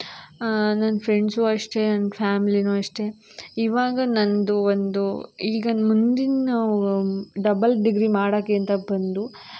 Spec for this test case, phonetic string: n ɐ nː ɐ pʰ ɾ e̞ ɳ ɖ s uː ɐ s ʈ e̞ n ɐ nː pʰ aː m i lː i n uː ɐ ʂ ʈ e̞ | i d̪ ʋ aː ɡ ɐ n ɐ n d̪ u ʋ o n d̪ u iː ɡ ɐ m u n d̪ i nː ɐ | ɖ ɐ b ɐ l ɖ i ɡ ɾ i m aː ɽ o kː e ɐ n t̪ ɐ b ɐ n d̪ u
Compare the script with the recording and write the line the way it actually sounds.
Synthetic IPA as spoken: n ɐ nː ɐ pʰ ɾ e̞ ɳ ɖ s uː ɐ ʂ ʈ e̞ n ɐ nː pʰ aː m i l i n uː ɐ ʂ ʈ e̞ | i ʋ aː ɡ ɐ n ɐ n d̪ u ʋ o n d̪ u iː ɡ ɐ m u n d̪ i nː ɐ | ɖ ɐ b ɐ l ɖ i ɡ ɾ i m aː ɽ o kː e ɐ n t̪ ɐ b ɐ n d̪ u